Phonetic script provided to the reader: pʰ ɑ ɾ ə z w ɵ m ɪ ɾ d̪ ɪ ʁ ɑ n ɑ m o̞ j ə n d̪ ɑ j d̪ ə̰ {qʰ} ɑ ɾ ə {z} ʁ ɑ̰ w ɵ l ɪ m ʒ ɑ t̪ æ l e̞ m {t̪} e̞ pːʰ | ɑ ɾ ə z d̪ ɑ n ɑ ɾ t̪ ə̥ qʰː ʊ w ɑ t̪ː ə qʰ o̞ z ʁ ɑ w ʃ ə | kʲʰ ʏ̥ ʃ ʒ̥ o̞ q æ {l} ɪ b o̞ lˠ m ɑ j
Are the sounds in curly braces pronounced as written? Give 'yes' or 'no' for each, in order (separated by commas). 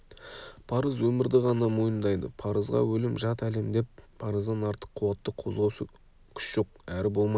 no, yes, no, no